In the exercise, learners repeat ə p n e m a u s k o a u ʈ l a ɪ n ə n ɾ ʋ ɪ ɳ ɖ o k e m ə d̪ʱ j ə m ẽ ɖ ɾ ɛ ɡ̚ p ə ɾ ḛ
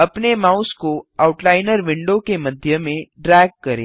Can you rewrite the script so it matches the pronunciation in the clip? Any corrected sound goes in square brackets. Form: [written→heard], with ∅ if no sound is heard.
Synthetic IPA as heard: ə p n e m a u s k o a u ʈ l a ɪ n ə [n→∅] ɾ ʋ ɪ ɳ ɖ o k e m ə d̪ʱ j ə m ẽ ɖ ɾ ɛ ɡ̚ [p→k] ə ɾ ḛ

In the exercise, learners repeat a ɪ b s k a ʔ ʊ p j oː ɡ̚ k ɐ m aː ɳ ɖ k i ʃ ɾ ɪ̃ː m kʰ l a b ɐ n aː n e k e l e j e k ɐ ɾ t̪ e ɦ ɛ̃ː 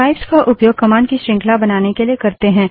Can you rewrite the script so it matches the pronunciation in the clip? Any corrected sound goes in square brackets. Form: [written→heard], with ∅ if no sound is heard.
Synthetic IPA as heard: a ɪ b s k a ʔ ʊ p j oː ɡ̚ k ɐ m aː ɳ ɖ k i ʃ ɾ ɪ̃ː [m→ŋ] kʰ l a b ɐ n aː n e k e l [e→i] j e k ɐ ɾ t̪ e ɦ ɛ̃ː

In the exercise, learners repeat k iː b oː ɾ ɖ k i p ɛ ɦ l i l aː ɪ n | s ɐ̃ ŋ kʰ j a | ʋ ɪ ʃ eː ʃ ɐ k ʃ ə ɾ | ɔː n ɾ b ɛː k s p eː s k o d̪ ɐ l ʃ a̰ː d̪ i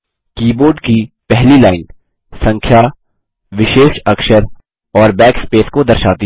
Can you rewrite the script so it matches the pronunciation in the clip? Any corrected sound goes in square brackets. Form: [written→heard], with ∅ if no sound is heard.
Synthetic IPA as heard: k iː b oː ɾ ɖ k i p ɛ ɦ l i l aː ɪ n | s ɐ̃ ŋ kʰ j a | ʋ ɪ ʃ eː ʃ ɐ k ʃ ə ɾ | ɔː [n→∅] ɾ b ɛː k s p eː s k o d̪ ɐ [l→ɾ] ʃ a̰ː [d̪→t̪] i

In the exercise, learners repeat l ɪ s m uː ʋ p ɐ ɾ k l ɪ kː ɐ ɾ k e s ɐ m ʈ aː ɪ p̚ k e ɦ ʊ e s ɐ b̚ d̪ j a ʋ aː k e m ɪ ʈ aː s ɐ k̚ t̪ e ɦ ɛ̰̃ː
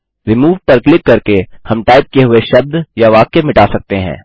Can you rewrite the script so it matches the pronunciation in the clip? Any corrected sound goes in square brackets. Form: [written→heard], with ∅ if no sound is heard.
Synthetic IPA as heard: [l→ɾ] ɪ [s→∅] m uː ʋ p ɐ ɾ k l ɪ kː ɐ ɾ k e [s→h] ɐ m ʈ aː ɪ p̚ k e ɦ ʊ e [s→ʃ] ɐ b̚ d̪ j a ʋ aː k e m ɪ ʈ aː s ɐ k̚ t̪ e ɦ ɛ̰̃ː

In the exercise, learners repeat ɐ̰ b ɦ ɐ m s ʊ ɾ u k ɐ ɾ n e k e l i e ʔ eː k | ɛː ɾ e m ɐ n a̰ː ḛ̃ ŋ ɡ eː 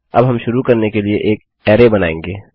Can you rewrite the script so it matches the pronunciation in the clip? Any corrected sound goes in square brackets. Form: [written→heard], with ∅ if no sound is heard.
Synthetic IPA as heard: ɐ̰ b ɦ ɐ m [s→ʃ] ʊ ɾ u k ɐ ɾ n e k e l i e ʔ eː k | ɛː ɾ e [m→b] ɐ n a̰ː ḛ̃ ŋ ɡ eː

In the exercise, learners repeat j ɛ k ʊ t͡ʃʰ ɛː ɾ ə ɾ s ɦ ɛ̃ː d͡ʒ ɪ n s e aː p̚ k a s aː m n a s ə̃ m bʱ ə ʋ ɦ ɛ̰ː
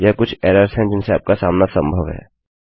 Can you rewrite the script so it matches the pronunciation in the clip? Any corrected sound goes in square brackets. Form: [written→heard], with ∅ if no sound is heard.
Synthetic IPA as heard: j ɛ k ʊ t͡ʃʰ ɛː ɾ ə ɾ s ɦ [ɛ̃ː→ɛ̃] d͡ʒ ɪ n s e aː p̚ k a s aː m n a s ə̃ m bʱ ə ʋ ɦ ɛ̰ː

